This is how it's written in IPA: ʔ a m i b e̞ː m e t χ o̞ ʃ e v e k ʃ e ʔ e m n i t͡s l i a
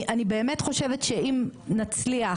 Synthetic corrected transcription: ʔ a n i b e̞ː m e t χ o̞ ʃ e v e t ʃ e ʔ i m n a t͡s l i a